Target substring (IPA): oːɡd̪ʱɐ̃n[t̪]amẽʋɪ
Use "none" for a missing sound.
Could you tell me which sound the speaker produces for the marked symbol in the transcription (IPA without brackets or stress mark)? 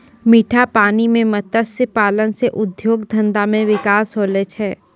d̪